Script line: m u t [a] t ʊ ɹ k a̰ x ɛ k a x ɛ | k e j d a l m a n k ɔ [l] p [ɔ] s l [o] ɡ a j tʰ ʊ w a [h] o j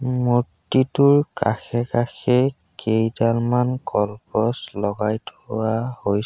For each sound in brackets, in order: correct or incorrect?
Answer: incorrect, correct, correct, incorrect, correct

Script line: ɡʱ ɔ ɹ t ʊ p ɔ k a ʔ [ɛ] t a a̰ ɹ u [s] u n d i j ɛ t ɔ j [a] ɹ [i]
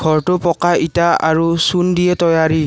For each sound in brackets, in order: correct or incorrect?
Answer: incorrect, correct, correct, correct

